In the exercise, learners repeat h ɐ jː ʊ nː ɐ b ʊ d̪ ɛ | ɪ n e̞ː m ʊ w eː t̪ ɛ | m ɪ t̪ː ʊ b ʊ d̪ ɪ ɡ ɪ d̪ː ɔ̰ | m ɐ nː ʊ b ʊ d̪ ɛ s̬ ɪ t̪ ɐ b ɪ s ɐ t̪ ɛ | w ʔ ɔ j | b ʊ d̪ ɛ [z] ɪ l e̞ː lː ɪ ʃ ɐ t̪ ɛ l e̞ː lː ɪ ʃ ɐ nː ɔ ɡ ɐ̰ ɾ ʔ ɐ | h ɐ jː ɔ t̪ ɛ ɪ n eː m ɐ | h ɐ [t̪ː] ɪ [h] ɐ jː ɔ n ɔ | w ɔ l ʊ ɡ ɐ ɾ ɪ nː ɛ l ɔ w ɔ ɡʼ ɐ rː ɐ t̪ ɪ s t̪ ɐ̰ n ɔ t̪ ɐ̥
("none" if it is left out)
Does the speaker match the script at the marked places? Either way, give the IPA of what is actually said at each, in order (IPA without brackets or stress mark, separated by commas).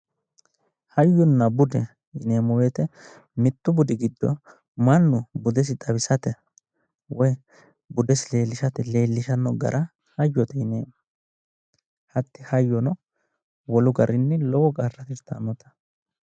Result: s, t̪ː, h